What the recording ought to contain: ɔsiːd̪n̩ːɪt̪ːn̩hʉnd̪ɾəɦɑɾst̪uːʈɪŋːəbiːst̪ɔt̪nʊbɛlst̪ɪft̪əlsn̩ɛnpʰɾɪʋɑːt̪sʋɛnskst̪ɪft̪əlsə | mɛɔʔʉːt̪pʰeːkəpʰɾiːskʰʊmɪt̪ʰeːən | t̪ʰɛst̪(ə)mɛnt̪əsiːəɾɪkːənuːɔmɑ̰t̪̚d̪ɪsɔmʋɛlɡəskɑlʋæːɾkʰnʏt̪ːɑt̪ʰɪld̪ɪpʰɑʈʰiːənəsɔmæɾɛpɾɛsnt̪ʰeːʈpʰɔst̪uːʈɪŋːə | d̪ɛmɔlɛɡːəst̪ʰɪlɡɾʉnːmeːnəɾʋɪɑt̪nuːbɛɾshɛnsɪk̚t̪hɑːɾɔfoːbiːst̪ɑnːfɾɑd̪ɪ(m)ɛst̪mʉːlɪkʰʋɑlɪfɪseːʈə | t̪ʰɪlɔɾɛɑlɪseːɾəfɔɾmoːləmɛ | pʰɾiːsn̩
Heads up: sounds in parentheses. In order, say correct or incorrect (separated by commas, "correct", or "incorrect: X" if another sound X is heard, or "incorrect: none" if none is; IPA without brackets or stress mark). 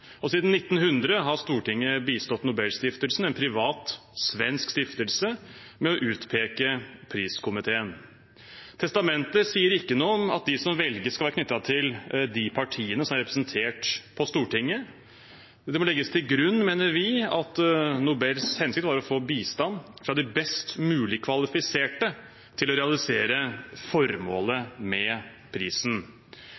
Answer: incorrect: ɑ, incorrect: b